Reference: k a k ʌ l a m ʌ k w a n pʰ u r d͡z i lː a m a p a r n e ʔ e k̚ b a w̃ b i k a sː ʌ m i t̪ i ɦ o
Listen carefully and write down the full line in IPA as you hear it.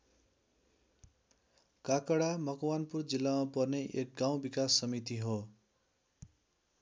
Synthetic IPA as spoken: k a k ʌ ɽ a m ʌ k w a n p u r d͡z i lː a m a p ʌ r n e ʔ e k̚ ɡ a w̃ b i k a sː ʌ m i t̪ i ɦ o